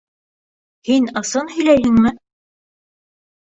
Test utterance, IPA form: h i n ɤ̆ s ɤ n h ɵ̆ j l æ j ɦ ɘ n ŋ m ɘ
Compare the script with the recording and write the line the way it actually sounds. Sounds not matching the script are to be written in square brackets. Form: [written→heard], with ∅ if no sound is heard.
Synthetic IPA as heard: h i n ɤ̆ s ɤ n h ɵ̆ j l æ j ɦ ɘ [n→∅] ŋ m ɘ

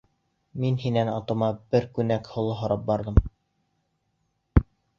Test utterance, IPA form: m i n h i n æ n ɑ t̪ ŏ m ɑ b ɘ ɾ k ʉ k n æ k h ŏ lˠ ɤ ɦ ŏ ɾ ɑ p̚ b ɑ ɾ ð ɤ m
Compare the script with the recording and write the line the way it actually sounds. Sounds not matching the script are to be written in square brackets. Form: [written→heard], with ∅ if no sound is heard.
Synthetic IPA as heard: m i n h i n æ n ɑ t̪ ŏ m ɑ b ɘ ɾ k ʉ [k→∅] n æ k h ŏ lˠ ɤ ɦ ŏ ɾ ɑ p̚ b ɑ ɾ ð ɤ m

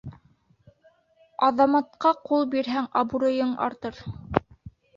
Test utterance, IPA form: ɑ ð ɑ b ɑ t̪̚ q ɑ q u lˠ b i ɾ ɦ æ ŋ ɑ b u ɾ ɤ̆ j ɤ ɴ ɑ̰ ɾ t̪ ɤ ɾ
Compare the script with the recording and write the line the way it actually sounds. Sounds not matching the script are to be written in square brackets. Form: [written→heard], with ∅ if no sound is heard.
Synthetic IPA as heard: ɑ ð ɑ [b→m] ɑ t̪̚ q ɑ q u lˠ b i ɾ ɦ æ ŋ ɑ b u ɾ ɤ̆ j ɤ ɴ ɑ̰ ɾ t̪ ɤ ɾ

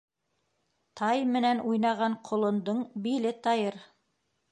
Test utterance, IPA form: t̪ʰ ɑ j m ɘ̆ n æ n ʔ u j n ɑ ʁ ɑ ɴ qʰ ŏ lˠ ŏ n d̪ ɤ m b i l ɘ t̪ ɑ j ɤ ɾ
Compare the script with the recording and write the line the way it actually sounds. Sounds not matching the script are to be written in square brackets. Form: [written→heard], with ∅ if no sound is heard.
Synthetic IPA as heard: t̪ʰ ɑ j m ɘ̆ n æ n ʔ u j n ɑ ʁ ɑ ɴ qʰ ŏ lˠ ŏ n d̪ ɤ [m→ɴ] b i l ɘ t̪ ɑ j ɤ ɾ

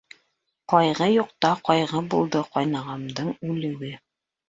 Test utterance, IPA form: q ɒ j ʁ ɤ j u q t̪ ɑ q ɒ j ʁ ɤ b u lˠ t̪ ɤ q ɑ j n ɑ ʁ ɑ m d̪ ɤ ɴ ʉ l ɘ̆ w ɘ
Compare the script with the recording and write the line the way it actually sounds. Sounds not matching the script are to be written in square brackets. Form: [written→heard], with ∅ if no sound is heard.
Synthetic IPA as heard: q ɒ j ʁ ɤ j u q t̪ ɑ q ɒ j ʁ ɤ b u lˠ [t̪→d̪] ɤ q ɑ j n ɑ ʁ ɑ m d̪ ɤ ɴ ʉ l ɘ̆ w ɘ

